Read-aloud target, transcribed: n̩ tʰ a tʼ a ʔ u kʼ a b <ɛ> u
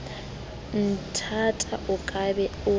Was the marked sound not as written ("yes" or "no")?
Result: no